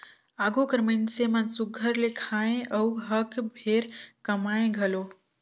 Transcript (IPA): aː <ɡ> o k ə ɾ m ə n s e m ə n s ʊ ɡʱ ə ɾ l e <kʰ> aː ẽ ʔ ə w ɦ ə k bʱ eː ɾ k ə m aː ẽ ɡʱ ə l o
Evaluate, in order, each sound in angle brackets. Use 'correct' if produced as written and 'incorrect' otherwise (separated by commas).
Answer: correct, correct